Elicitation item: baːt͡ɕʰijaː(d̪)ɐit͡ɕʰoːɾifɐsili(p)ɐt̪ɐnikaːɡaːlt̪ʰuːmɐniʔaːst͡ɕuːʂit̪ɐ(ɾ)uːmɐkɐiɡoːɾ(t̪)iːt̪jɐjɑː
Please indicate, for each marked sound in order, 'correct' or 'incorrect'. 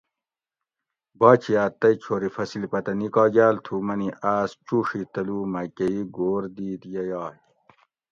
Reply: incorrect, correct, incorrect, incorrect

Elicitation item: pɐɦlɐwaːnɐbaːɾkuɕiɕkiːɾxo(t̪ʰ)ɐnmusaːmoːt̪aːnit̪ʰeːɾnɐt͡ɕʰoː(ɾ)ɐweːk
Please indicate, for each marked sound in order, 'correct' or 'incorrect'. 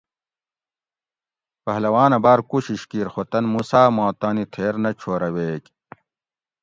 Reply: incorrect, correct

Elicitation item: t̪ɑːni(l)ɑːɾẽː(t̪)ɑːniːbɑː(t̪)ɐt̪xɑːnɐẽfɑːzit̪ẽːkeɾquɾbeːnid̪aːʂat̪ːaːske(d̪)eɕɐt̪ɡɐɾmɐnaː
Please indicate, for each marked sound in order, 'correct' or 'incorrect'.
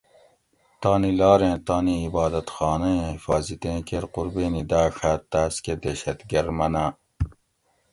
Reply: correct, correct, incorrect, correct

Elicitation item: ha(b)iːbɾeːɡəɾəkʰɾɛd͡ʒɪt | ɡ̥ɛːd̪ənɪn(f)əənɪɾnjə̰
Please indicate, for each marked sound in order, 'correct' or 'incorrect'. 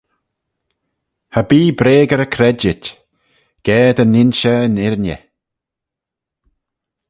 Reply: correct, incorrect

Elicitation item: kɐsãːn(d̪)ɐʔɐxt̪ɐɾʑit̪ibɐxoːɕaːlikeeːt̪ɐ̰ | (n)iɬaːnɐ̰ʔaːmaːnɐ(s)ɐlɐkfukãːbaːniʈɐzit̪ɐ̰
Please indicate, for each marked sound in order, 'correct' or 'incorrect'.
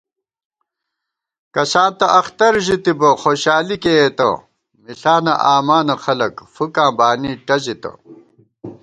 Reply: incorrect, incorrect, incorrect

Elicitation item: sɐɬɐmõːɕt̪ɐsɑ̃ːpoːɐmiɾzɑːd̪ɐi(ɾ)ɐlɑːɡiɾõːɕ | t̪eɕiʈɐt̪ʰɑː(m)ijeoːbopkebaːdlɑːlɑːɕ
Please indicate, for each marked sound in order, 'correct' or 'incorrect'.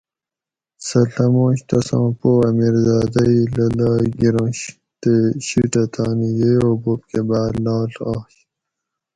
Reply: incorrect, incorrect

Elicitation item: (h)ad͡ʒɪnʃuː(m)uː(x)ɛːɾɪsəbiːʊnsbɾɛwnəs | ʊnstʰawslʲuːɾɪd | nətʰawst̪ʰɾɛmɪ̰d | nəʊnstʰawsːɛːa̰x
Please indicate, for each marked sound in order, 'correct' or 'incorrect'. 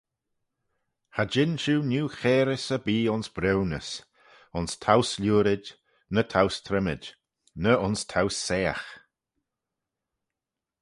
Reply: correct, incorrect, correct

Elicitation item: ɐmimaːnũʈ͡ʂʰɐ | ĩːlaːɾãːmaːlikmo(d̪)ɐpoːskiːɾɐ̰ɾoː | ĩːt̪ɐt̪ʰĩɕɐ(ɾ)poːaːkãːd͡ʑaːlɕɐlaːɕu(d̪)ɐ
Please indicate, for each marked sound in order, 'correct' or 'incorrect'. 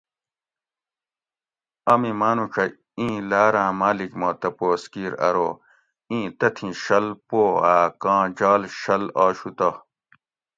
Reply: incorrect, incorrect, incorrect

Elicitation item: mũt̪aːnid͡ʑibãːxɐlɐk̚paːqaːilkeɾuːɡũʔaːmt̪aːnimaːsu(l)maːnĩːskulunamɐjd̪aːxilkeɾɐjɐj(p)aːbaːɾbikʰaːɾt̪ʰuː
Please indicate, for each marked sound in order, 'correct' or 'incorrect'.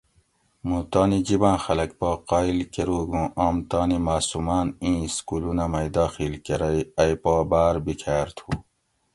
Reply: incorrect, correct

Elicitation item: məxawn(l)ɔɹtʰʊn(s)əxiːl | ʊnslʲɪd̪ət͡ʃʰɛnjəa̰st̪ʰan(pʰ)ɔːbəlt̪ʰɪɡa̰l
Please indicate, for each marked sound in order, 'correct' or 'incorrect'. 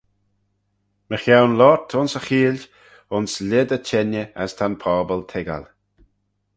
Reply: correct, correct, correct

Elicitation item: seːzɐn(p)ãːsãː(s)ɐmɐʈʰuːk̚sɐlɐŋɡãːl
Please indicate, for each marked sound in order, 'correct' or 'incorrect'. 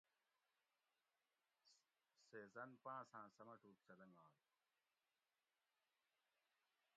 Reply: correct, correct

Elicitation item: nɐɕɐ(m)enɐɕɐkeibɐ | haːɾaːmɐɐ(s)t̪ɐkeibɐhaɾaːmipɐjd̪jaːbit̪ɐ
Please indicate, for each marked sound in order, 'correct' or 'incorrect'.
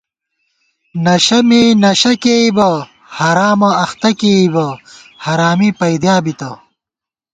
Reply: correct, incorrect

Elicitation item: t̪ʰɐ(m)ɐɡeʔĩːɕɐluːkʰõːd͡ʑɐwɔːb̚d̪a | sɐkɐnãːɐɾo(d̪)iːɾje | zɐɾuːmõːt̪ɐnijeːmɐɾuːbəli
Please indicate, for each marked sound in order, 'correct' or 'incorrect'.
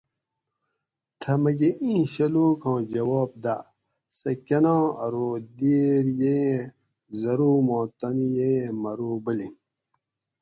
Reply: correct, correct

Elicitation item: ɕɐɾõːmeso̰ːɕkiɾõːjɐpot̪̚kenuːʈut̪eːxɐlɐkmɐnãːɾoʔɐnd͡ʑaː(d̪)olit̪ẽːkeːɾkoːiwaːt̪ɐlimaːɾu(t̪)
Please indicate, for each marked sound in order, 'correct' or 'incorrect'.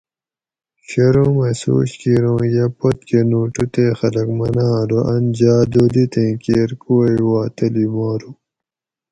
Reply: correct, incorrect

